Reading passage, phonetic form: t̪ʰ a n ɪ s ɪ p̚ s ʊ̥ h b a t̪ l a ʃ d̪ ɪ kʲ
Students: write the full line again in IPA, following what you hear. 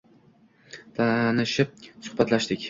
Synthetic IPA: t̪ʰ a n ɪ ʃ ɪ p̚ s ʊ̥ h b a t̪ l a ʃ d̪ ɪ kʲ